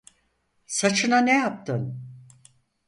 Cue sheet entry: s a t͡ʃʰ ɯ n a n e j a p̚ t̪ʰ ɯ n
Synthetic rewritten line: s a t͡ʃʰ ɯ n a n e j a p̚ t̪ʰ ɯ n